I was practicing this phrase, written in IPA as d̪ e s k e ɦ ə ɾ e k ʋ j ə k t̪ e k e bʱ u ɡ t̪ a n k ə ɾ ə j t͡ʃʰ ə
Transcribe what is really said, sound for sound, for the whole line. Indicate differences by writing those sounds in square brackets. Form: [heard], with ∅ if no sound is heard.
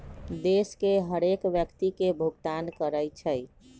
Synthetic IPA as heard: d̪ e s k e ɦ ə ɾ e k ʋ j ə k t̪ [i] k e bʱ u ɡ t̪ a n k ə ɾ ə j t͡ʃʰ ə